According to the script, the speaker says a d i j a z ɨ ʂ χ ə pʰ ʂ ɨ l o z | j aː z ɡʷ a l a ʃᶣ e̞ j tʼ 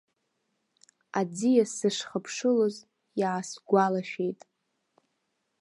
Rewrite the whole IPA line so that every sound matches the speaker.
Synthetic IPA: a d͡z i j a s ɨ ʂ χ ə pʰ ʂ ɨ l o z | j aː s ɡʷ a l a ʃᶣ e̞ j tʼ